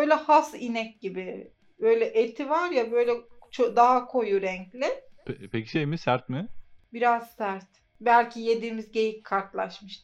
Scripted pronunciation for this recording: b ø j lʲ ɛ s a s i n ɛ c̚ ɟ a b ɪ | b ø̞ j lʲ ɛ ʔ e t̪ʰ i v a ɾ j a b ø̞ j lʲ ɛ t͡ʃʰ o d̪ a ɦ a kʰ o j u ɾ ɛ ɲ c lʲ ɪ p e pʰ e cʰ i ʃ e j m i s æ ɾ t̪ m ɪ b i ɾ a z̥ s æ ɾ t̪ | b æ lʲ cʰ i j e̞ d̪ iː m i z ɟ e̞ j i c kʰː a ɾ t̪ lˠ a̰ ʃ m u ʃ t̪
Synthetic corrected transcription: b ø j lʲ ɛ h a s i n ɛ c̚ ɟ i b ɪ | b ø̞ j lʲ ɛ ʔ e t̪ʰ i v a ɾ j a b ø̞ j lʲ ɛ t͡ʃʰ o d̪ a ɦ a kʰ o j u ɾ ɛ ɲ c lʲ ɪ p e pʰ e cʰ i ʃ e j m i s æ ɾ t̪ m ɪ b i ɾ a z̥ s æ ɾ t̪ | b æ lʲ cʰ i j e̞ d̪ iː m i z ɟ e̞ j i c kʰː a ɾ t̪ lˠ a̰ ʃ m ɯ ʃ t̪